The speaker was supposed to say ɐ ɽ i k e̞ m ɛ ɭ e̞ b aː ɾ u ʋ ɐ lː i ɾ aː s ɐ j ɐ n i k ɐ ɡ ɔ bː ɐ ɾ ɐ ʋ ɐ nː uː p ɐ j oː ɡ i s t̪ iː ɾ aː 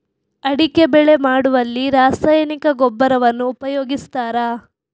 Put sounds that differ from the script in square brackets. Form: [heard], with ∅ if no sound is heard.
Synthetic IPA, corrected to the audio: ɐ ɽ i k e̞ [b] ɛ ɭ e̞ [m] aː [ɽ] u ʋ ɐ lː i ɾ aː s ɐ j ɐ n i k ɐ ɡ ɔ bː ɐ ɾ ɐ ʋ ɐ nː uː p ɐ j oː ɡ i s t̪ [aː] ɾ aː